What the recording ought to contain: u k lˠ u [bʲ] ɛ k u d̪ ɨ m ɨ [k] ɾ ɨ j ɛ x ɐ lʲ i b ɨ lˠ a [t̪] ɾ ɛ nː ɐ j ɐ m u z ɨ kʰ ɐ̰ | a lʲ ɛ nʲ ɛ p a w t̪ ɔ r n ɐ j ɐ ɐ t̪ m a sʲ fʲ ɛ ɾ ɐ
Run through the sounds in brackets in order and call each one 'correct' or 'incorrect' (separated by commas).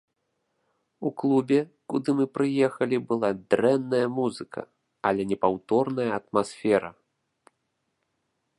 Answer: correct, incorrect, incorrect